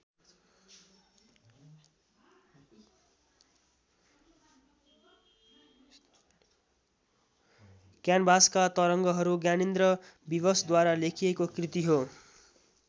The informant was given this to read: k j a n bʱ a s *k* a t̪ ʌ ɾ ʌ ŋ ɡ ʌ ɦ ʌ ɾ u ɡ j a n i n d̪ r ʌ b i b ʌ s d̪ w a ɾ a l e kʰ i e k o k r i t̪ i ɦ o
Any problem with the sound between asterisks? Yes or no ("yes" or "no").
no